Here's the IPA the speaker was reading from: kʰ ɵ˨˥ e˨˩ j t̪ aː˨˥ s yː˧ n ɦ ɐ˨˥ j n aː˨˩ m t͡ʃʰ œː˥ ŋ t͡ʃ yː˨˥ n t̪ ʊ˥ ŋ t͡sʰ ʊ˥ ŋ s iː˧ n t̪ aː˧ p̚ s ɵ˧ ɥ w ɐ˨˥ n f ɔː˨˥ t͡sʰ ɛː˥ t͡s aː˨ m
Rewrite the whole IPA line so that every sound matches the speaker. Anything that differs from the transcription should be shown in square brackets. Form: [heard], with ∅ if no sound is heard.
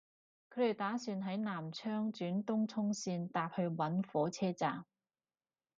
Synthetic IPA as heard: kʰ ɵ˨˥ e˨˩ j t̪ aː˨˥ s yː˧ n ɦ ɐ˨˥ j n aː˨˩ m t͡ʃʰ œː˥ ŋ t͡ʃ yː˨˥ n t̪ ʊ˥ ŋ t͡sʰ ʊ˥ ŋ s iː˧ n t̪ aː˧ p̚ [h] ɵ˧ ɥ w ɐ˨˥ n f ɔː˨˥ t͡sʰ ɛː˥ t͡s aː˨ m